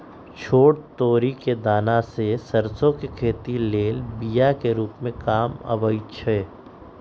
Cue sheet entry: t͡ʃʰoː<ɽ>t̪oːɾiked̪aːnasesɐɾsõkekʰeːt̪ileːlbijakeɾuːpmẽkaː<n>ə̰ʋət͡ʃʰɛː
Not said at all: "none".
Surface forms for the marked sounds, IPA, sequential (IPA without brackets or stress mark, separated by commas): ɽ, m